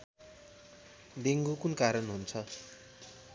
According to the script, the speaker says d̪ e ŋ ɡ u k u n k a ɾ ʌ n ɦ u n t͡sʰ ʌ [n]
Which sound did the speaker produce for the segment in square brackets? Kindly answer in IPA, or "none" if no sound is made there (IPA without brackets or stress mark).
none